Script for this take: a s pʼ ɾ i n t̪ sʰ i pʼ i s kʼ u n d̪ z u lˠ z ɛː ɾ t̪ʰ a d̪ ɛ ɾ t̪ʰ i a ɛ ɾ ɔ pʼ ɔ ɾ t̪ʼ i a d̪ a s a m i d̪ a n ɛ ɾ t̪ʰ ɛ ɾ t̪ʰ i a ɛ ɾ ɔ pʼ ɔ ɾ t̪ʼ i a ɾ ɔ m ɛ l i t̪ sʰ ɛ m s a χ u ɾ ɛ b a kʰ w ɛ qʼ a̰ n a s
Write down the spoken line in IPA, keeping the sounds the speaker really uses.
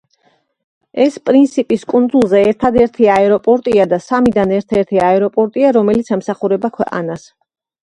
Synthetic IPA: ɛ s pʼ ɾ i n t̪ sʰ i pʼ i s kʼ u n d̪ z u lˠ z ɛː ɾ t̪ʰ a d̪ ɛ ɾ t̪ʰ i a ɛ ɾ ɔ pʼ ɔ ɾ t̪ʼ i a d̪ a s a m i d̪ a n ɛ ɾ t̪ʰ ɛ ɾ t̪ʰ i a ɛ ɾ ɔ pʼ ɔ ɾ t̪ʼ i a ɾ ɔ m ɛ l i t̪ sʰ ɛ m s a χ u ɾ ɛ b a kʰ w ɛ qʼ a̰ n a s